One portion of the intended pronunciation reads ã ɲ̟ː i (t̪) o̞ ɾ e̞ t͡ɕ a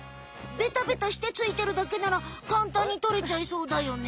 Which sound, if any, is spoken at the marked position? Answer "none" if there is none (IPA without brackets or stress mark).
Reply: t̪